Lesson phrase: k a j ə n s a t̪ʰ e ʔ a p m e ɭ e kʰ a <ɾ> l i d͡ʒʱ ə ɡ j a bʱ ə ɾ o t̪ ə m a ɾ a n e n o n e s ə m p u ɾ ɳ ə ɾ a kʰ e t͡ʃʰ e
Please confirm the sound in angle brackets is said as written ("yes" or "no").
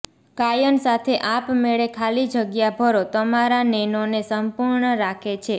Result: no